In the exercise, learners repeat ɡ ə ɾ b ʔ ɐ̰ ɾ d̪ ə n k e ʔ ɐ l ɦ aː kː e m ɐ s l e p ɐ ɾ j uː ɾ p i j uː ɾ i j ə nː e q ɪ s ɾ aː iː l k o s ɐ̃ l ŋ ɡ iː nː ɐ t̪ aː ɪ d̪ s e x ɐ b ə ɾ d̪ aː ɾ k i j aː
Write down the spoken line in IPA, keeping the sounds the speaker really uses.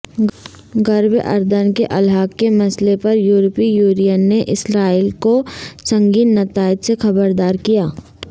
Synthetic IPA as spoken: ɡ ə ɾ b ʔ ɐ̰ ɾ d̪ ə n k e ʔ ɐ l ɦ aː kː e m ɐ s l e p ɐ ɾ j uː ɾ p i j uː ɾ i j ə nː e ʔ ɪ s ɾ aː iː l k o s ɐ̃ ŋ ɡ iː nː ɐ t̪ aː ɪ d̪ s e x ɐ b ə ɾ d̪ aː ɾ k i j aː